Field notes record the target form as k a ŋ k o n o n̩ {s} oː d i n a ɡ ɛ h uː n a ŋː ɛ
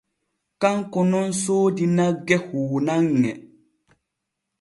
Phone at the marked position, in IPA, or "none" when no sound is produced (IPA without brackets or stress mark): s